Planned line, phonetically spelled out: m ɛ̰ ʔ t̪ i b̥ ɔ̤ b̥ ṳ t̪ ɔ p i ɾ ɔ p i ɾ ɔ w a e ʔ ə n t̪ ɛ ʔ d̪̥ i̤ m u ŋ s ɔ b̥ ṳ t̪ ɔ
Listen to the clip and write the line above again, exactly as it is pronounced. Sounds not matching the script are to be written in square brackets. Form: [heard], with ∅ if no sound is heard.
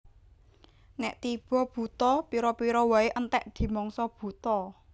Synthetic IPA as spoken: [n] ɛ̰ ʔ t̪ i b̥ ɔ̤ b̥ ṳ t̪ ɔ p i ɾ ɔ p i ɾ ɔ w a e ʔ ə n t̪ ɛ ʔ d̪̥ i̤ m [ɔ] ŋ s ɔ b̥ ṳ t̪ ɔ